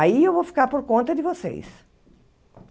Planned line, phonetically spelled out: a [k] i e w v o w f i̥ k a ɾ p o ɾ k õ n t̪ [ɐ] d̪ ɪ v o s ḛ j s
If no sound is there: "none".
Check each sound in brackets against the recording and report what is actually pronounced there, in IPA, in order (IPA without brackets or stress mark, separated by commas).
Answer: none, ɐ